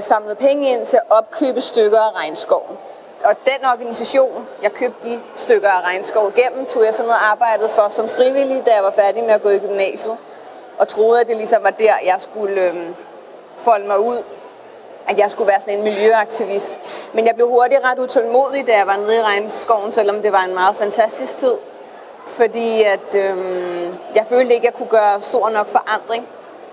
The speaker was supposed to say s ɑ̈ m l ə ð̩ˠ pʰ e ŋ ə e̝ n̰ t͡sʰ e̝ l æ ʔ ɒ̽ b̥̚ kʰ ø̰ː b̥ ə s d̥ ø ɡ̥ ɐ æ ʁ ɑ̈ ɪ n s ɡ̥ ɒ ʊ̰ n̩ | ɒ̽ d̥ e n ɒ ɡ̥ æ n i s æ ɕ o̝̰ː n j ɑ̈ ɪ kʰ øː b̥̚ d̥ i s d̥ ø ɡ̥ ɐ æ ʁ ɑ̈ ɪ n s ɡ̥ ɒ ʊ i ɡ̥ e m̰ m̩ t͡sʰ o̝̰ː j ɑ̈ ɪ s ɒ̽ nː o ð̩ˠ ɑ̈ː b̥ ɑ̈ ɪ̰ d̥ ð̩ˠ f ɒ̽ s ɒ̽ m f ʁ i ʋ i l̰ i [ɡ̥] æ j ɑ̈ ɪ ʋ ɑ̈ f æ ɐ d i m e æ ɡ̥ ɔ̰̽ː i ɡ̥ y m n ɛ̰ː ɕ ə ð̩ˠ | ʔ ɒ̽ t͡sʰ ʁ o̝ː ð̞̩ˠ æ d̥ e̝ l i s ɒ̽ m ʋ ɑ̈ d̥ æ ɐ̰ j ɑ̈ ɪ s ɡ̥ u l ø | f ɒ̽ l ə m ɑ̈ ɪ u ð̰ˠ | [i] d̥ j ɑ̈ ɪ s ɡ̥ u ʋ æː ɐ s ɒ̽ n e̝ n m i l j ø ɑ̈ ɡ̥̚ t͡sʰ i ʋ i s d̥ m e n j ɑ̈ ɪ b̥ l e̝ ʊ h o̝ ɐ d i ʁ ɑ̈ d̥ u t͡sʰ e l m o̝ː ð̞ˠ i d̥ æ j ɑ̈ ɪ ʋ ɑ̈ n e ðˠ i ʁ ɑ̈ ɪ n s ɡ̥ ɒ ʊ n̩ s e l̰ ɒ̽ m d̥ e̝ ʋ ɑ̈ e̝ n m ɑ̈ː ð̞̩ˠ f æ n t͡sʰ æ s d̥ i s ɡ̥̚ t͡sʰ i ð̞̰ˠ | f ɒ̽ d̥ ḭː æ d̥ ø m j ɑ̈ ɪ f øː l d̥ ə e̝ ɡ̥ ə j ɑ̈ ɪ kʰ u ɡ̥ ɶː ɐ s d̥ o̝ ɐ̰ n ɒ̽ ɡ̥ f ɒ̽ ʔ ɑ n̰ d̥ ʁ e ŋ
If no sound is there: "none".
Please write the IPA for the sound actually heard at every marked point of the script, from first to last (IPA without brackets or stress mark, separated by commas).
d̥, æ